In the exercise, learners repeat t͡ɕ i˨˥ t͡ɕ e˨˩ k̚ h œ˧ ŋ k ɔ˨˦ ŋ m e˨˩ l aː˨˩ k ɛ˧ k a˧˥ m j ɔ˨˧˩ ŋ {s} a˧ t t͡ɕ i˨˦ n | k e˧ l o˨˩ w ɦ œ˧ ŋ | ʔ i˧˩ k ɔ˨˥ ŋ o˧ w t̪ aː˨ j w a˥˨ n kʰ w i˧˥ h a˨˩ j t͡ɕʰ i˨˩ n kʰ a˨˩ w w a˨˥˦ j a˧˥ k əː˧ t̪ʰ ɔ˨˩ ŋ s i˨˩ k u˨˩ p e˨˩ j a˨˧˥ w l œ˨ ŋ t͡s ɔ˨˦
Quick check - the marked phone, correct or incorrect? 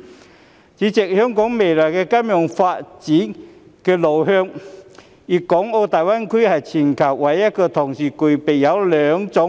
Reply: incorrect